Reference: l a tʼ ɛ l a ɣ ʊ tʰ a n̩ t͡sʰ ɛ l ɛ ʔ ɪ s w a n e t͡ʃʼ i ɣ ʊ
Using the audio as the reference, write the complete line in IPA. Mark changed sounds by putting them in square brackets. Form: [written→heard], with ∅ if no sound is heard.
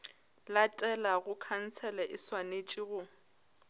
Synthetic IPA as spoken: l a tʼ ɛ l a ɣ ʊ [tʰ→kʰ] a n̩ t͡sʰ ɛ l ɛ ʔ ɪ s w a n e t͡ʃʼ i ɣ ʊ